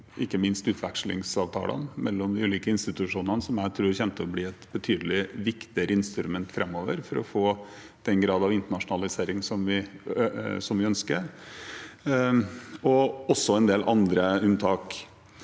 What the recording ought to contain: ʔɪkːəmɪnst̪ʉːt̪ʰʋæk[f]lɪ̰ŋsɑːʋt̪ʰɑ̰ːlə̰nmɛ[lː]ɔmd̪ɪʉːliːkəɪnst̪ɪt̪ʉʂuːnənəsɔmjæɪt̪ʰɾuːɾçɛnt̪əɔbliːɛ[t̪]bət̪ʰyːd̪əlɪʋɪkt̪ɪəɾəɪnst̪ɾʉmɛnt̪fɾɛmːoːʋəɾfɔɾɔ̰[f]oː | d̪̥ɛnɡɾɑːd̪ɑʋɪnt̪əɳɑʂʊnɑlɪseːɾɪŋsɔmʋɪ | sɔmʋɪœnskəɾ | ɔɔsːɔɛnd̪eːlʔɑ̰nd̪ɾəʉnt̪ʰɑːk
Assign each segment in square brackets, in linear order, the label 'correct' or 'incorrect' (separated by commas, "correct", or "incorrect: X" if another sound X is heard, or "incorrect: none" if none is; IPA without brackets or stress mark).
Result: incorrect: ʂ, correct, correct, correct